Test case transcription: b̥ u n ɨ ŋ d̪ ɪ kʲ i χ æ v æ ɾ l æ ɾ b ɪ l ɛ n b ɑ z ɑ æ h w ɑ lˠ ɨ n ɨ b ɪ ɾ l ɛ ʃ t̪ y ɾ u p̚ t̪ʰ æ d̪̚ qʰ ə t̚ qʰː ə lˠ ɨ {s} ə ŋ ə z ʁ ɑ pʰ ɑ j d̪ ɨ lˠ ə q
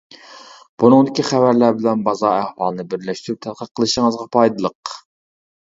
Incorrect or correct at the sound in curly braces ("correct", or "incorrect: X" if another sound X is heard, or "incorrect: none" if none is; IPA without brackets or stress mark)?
incorrect: ʃ